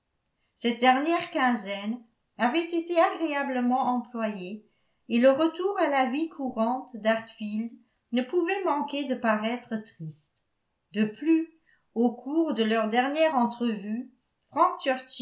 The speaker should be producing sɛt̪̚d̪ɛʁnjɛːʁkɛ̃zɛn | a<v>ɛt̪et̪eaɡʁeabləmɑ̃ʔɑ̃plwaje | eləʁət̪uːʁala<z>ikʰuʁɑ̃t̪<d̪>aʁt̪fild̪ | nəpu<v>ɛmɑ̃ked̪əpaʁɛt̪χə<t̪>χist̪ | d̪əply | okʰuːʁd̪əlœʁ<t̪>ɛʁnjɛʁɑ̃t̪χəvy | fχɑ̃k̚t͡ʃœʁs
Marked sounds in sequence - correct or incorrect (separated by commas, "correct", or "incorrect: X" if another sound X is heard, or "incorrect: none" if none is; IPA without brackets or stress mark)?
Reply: correct, incorrect: v, correct, correct, correct, incorrect: d̪